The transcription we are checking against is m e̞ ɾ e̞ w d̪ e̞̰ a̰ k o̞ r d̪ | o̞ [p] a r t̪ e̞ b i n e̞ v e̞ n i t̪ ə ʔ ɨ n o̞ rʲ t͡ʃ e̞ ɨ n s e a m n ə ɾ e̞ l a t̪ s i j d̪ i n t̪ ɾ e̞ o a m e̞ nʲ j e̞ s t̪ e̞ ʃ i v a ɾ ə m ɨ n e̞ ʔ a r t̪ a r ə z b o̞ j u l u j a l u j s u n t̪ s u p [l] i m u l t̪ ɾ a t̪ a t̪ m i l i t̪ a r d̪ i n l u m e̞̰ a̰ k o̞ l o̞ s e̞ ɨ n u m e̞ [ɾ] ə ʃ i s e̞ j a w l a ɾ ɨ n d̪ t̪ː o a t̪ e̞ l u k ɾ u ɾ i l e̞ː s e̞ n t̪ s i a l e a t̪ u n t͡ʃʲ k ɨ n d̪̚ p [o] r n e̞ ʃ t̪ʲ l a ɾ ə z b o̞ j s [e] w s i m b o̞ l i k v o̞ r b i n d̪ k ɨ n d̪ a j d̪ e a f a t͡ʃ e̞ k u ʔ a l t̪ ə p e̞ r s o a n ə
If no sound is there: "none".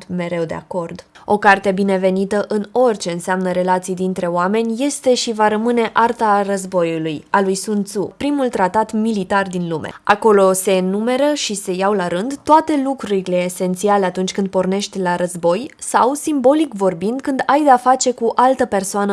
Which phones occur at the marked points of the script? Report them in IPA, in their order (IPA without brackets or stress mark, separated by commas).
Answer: k, ɾ, ɾ, o, a